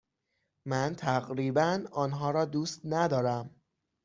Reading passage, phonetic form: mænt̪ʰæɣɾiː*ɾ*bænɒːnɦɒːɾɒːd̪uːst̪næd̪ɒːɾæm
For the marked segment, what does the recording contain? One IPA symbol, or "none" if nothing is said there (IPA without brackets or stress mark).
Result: none